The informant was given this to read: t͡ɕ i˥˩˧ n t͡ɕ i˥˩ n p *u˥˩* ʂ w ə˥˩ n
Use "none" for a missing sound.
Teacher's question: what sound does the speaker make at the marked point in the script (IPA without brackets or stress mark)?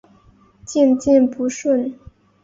u˧˥